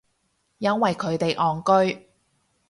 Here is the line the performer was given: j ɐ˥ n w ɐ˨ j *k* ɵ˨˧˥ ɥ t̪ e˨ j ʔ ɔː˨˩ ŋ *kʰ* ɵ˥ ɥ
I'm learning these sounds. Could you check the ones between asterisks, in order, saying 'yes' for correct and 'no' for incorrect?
no, no

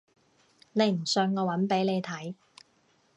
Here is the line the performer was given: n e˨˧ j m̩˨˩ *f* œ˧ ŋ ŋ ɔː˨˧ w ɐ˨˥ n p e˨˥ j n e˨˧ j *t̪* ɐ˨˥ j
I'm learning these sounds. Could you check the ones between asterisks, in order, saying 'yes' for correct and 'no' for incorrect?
no, no

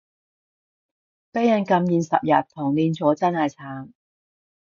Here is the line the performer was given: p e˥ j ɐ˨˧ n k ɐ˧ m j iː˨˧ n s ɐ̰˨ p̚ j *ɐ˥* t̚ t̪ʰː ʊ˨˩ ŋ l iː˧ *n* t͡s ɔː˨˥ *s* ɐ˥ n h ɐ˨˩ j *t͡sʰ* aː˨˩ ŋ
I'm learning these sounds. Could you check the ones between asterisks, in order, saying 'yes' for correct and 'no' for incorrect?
no, yes, no, yes

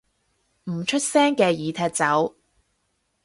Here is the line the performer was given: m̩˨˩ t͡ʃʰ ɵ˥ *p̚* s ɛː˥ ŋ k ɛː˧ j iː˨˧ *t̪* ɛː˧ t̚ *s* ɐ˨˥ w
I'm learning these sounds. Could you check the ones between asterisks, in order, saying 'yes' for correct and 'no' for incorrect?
no, no, no

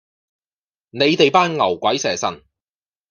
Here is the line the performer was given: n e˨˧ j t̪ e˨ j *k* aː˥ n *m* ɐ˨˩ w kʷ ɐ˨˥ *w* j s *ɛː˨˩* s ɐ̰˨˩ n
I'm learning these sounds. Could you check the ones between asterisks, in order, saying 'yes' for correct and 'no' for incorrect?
no, no, no, yes

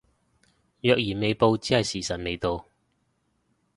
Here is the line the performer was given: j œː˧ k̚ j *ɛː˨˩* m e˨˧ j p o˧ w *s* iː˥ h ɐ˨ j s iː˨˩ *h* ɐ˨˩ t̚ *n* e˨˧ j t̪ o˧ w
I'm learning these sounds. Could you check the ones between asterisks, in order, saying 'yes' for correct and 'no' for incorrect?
no, no, no, no

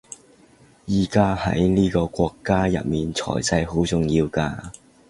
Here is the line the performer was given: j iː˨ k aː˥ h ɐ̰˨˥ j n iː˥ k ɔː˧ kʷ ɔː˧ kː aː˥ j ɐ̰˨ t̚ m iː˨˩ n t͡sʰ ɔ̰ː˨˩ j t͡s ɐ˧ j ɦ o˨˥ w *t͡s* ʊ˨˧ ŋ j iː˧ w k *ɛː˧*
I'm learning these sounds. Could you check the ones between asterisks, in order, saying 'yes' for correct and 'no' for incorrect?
yes, no

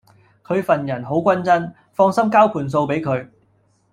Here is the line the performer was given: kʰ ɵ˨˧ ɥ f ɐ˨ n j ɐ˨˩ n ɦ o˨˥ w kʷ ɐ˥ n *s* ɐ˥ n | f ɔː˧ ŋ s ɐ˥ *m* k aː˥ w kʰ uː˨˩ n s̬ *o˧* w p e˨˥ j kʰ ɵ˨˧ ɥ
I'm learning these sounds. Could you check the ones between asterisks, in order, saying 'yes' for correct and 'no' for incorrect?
no, yes, yes

